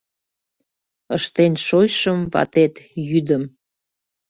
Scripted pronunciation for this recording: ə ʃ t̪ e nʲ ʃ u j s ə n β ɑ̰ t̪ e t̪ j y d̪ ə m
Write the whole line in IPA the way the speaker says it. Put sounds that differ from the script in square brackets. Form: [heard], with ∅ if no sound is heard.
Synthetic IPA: ə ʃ t̪ e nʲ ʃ [o] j [ʃ] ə [m] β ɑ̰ t̪ e t̪ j y d̪ ə m

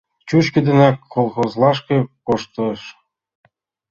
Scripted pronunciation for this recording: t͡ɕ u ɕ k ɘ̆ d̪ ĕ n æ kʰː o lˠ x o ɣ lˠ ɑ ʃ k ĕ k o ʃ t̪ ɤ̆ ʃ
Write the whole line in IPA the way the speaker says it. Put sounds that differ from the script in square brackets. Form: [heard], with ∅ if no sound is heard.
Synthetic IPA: t͡ɕ u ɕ k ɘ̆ d̪ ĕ n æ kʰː o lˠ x o [z] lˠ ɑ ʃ k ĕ k o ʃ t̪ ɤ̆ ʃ

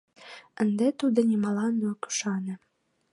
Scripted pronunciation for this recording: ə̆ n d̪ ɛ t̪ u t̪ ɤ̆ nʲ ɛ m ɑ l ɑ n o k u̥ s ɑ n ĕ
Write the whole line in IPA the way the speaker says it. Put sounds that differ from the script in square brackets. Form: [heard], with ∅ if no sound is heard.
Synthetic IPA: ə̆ n d̪ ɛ t̪ u [d̪] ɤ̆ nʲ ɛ m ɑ l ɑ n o k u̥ [ʃ] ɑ n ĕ

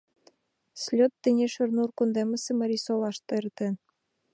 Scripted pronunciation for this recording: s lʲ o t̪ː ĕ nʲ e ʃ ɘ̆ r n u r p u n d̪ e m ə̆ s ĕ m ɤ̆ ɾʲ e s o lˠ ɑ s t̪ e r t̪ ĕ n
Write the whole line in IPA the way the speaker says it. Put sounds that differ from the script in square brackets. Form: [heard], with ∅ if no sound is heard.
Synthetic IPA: s lʲ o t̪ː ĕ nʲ e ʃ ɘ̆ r n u r [k] u n d̪ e m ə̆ s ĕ m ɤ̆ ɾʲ [i] s o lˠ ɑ [ʃ] t̪ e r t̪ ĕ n

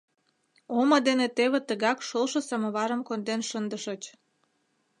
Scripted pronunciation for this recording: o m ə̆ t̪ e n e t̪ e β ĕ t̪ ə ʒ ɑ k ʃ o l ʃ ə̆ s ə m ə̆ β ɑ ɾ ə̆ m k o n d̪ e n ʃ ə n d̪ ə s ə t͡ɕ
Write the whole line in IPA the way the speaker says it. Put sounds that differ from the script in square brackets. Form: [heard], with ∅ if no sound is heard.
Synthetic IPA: o m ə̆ [d̪] e n e t̪ e β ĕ t̪ ə [ɣ] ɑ k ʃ o l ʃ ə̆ s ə m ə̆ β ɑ ɾ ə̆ m k o n d̪ e n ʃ ə n d̪ ə [ʃ] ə t͡ɕ

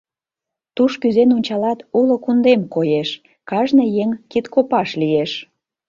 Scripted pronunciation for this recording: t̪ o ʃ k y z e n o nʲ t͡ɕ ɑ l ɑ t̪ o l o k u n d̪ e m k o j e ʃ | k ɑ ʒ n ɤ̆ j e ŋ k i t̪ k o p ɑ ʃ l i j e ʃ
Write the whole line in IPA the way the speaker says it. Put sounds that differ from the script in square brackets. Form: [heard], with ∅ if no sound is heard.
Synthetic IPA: t̪ [u] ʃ k y z e n o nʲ t͡ɕ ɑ l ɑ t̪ [u] l o k u n d̪ e m k o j e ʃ | k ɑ ʒ n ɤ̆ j e ŋ k i t̪ k o p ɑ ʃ l i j e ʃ

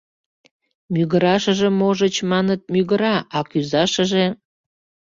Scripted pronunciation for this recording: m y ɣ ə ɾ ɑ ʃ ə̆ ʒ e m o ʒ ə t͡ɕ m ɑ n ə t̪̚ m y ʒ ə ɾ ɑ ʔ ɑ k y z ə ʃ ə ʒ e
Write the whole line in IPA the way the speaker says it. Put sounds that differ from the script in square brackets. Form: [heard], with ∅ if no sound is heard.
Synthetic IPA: m y ɣ ə ɾ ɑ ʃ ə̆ ʒ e m o ʒ ə t͡ɕ m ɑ n ə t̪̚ m y [ɣ] ə ɾ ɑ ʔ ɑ k y z [ɑ] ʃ ə ʒ e

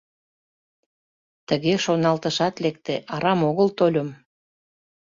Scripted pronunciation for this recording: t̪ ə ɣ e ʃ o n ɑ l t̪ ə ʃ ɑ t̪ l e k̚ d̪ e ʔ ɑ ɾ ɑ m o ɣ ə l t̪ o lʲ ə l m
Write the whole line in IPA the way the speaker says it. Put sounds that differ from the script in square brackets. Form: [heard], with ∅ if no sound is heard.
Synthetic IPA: t̪ ə ɣ e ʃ o n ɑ l t̪ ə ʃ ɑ t̪ l e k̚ [t̪] e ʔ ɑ ɾ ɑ m o ɣ ə l t̪ o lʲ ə [∅] m

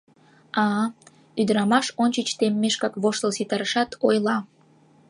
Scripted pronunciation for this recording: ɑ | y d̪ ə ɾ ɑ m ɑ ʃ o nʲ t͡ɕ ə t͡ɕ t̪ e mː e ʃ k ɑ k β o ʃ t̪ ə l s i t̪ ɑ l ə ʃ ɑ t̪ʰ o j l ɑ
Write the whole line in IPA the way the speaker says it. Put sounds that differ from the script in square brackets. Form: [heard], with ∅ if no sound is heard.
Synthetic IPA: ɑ | y d̪ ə ɾ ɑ m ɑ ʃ o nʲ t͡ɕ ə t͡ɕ t̪ e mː e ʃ k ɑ k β o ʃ t̪ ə l s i t̪ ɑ [ɾ] ə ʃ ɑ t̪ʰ o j l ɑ

